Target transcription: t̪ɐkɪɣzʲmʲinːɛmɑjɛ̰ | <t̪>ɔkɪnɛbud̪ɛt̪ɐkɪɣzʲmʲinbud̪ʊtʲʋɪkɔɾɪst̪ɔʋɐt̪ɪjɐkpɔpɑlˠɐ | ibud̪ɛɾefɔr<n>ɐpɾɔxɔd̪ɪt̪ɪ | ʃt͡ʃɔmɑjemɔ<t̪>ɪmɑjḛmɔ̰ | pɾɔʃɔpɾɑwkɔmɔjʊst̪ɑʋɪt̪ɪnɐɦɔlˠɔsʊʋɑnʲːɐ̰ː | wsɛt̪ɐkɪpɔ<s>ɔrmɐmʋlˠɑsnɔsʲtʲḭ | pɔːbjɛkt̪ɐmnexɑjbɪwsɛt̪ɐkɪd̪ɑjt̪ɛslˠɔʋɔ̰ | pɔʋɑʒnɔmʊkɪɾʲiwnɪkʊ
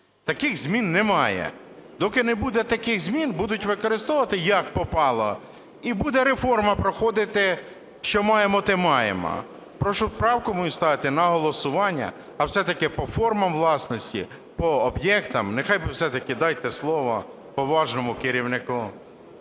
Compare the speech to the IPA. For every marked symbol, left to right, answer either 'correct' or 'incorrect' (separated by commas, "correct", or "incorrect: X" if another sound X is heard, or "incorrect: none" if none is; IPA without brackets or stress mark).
incorrect: d̪, incorrect: m, correct, incorrect: f